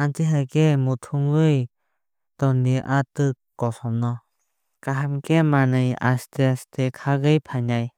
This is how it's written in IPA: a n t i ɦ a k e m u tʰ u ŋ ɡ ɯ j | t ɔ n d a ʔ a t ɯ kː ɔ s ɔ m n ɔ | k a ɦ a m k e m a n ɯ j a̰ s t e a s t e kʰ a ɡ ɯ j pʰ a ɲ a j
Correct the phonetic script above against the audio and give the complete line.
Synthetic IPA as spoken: a n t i ɦ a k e m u tʰ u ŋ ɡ ɯ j | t ɔ n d i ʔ a t ɯ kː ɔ s ɔ m n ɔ | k a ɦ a m k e m a n ɯ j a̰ s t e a s t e kʰ a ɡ ɯ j pʰ a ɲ a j